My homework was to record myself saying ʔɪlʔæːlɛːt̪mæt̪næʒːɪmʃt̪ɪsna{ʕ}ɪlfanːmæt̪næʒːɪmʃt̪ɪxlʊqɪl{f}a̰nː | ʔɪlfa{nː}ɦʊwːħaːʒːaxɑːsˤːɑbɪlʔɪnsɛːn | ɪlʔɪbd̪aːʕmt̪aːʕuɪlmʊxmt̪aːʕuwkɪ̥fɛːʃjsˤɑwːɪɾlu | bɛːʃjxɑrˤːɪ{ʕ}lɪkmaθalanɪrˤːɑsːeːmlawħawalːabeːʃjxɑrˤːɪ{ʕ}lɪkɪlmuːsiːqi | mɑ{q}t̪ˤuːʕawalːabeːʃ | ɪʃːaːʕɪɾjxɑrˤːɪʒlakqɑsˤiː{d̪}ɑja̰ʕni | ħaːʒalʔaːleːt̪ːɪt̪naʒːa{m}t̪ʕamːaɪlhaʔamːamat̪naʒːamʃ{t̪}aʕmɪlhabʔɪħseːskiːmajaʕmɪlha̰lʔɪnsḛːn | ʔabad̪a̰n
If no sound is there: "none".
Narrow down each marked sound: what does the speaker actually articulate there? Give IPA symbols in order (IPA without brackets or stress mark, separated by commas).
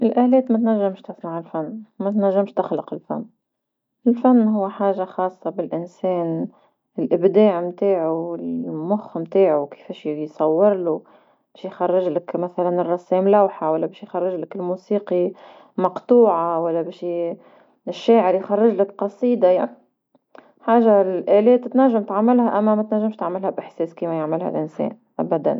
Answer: ʕ, f, nː, ʒ, ʒ, q, d̪, m, t̪